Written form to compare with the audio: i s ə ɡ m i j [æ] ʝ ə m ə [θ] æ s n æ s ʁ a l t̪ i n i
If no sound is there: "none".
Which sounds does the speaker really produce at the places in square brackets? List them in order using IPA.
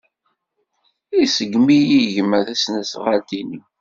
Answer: i, θ

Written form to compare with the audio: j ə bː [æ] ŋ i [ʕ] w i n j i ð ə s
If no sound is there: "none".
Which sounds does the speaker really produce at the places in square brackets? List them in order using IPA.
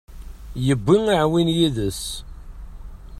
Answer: i, ʕ

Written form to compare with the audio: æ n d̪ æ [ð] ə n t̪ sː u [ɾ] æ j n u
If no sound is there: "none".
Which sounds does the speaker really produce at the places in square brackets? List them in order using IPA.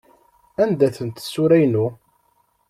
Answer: θ, ɾ

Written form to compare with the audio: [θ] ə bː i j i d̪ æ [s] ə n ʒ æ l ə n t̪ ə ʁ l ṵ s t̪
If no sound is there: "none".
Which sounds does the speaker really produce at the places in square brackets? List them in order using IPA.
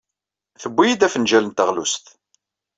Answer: θ, f

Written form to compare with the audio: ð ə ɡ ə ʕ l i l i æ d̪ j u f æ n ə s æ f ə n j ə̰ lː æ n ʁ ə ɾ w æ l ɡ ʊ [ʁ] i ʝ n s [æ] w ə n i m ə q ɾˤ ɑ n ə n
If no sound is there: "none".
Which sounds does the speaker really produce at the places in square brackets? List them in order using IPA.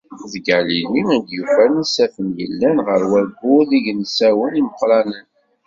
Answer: ð, æ

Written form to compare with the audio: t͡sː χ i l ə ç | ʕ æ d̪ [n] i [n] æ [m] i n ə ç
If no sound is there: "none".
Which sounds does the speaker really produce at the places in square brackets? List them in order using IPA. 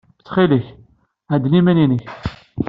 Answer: n, m, n

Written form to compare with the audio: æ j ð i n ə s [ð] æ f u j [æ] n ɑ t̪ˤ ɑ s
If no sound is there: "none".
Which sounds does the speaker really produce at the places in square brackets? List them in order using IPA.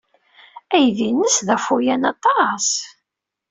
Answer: ð, æ

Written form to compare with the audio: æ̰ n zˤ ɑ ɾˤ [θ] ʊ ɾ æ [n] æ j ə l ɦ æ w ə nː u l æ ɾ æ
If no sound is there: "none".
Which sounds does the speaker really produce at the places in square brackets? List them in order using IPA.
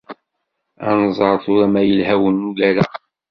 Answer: θ, m

